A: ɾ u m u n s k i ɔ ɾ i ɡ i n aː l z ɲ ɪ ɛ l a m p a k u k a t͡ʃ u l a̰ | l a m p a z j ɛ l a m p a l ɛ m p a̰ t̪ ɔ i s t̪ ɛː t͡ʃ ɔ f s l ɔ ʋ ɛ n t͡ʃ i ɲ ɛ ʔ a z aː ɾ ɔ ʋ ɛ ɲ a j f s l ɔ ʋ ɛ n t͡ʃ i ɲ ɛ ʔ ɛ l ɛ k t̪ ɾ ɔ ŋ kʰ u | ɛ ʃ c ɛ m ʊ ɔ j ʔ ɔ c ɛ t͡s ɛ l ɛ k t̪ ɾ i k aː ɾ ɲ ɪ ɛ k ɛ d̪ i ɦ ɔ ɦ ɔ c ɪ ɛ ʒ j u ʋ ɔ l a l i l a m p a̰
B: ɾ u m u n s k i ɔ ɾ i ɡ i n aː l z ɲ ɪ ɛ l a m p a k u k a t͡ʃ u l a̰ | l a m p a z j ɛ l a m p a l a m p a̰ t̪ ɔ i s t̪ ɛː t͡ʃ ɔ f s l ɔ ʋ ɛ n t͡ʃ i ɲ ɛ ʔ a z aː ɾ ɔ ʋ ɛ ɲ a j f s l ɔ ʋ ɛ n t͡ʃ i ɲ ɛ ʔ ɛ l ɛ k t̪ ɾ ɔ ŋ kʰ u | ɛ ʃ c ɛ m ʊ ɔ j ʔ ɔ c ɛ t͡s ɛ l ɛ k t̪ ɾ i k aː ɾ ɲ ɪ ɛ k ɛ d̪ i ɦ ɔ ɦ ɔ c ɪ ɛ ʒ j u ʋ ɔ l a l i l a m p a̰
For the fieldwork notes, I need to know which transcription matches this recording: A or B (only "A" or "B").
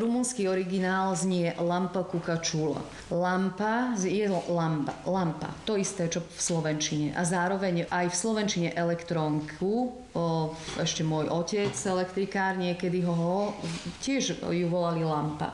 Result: B